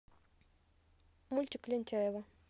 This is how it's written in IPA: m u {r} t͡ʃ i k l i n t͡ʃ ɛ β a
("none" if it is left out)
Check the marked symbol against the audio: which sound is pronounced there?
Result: l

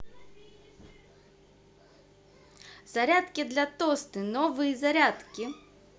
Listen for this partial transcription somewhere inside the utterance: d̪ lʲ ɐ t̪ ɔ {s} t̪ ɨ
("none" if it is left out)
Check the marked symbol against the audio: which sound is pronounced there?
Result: s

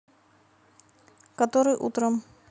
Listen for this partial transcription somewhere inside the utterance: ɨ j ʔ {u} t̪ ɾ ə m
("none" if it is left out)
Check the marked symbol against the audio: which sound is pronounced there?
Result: u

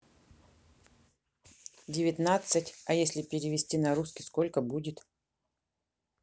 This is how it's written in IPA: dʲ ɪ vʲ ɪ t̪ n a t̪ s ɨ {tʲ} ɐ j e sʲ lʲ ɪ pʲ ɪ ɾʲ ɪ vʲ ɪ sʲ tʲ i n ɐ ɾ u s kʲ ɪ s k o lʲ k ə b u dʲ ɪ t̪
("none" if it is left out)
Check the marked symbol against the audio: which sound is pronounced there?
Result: tʲ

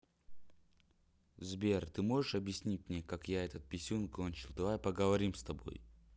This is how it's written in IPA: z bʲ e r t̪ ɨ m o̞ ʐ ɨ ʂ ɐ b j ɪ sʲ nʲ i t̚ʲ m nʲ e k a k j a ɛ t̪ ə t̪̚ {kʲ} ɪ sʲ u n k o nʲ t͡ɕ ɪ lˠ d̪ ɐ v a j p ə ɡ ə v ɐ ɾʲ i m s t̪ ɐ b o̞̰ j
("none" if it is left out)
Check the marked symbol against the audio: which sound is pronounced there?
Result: pʲ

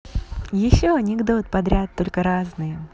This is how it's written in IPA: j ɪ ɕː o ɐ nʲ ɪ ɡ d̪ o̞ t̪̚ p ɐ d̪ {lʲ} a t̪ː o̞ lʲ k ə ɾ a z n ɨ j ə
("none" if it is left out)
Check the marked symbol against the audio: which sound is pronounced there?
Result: ɾʲ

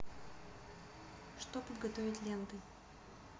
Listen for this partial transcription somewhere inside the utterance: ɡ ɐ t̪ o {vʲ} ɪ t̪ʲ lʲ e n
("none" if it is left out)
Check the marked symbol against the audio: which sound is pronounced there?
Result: vʲ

